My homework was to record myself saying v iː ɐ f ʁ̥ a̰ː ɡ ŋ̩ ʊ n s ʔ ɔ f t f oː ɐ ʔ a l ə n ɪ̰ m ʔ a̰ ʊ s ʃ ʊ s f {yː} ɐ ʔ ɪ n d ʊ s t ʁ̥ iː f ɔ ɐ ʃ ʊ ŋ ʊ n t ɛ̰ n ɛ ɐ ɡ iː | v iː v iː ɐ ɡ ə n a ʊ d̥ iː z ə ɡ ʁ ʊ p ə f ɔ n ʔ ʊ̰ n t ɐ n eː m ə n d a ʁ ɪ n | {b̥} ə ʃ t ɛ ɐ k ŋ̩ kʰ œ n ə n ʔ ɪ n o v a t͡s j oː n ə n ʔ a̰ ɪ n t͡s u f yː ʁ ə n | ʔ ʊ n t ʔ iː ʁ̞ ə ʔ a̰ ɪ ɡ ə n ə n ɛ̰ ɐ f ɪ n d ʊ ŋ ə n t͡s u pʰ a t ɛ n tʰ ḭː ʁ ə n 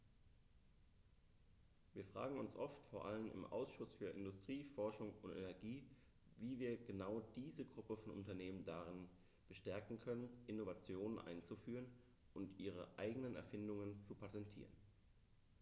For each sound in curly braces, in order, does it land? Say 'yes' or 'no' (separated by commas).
yes, yes